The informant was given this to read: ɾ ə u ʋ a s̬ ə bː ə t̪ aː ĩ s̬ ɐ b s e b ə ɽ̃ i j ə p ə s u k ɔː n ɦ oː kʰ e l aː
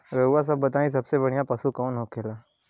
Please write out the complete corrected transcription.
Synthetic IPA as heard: ɾ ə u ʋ a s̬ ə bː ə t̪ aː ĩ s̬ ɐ b s e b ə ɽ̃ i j a p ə s u k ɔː n ɦ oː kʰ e l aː

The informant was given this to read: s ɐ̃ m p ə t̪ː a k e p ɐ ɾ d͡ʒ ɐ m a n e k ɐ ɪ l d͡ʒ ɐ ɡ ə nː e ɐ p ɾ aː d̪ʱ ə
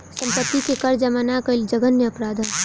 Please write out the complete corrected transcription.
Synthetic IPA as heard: s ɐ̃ m p ə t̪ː i k e k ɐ ɾ d͡ʒ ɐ m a n a k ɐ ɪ l d͡ʒ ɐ ɡ ə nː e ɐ p ɾ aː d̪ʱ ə

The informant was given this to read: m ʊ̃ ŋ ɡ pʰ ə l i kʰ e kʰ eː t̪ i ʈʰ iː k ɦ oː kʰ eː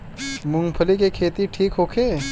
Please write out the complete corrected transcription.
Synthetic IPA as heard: m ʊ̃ ŋ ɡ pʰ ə l i k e kʰ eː t̪ i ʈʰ iː k ɦ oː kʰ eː

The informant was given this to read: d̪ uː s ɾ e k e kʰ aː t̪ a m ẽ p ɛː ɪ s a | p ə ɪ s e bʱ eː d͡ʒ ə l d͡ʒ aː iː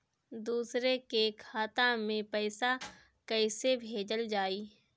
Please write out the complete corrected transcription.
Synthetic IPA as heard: d̪ uː s ɾ e k e kʰ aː t̪ a m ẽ p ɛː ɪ s a | k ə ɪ s e bʱ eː d͡ʒ ə l d͡ʒ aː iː

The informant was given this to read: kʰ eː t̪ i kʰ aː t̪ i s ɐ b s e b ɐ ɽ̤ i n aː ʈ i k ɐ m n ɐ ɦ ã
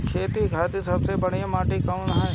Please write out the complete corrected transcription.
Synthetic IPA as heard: kʰ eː t̪ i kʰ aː t̪ i s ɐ b s e b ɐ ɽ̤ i m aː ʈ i k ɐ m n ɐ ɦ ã

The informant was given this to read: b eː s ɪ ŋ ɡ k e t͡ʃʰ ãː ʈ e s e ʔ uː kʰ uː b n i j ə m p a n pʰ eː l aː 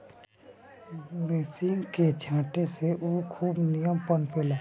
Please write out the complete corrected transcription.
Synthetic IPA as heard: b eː s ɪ ŋ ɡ k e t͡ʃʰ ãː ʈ e s e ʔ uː kʰ uː b n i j ə m p ə n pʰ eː l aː

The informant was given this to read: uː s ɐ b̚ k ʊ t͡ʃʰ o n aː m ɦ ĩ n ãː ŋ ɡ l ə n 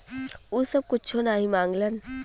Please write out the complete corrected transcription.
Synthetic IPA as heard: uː s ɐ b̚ k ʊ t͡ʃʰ o n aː ɦ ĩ m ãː ŋ ɡ l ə n

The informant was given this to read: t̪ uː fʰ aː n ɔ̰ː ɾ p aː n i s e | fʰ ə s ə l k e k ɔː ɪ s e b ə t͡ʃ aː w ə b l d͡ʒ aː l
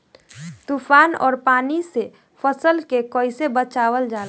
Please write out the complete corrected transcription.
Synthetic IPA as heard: t̪ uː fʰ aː n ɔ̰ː ɾ p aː n i s e | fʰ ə s ə l k e k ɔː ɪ s e b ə t͡ʃ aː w ə l d͡ʒ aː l

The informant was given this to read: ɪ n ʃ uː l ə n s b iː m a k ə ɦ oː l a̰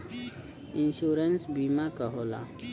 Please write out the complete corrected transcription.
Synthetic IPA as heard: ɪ n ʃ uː ɾ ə n s b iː m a k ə ɦ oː l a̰

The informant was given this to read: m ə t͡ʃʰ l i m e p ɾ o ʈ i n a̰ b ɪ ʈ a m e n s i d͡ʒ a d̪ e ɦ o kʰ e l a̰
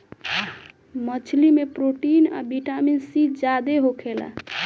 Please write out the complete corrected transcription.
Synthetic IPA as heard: m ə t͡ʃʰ l i m e p ɾ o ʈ i n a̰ b i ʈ a m i n s i d͡ʒ a d̪ e ɦ o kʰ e l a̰

